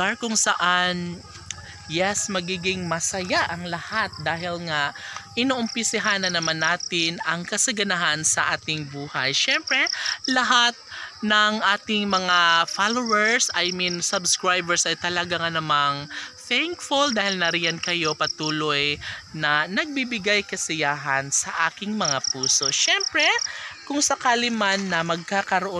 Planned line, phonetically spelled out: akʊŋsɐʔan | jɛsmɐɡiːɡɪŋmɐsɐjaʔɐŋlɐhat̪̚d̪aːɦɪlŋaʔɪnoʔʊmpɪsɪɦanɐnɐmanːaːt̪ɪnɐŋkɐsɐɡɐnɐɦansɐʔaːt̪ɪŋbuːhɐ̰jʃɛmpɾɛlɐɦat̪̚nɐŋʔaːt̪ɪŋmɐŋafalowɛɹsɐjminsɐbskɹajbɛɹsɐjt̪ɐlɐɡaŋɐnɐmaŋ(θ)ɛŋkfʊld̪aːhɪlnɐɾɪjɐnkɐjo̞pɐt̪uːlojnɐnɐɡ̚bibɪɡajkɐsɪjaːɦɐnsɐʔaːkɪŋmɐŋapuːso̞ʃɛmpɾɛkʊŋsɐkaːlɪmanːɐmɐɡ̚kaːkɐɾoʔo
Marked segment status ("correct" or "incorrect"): correct